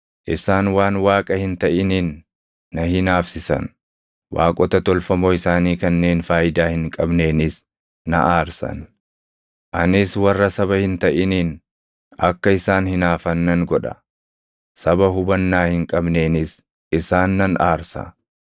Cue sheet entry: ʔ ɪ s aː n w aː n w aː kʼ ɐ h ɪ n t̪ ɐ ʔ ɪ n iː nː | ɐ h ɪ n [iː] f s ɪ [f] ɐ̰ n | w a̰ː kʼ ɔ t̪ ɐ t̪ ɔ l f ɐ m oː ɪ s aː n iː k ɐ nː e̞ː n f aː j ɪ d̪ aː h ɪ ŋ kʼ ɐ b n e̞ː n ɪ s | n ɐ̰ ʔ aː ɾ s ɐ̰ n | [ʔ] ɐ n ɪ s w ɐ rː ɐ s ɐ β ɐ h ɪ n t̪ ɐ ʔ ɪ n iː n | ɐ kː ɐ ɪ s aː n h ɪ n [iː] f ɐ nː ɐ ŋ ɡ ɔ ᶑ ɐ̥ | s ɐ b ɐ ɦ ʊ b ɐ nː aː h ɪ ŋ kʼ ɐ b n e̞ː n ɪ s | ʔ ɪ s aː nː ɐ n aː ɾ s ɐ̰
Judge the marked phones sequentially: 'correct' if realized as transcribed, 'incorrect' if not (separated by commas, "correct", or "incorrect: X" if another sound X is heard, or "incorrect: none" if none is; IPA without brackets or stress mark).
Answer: incorrect: aː, incorrect: s, correct, incorrect: aː